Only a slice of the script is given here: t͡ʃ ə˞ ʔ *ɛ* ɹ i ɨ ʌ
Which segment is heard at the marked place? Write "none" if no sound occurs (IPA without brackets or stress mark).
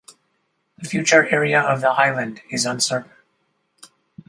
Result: ɛ